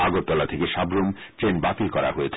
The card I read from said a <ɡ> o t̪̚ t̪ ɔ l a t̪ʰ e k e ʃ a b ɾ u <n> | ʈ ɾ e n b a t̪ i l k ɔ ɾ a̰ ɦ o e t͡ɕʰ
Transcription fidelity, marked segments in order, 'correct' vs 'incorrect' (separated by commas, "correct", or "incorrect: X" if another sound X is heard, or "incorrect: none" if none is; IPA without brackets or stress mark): correct, incorrect: m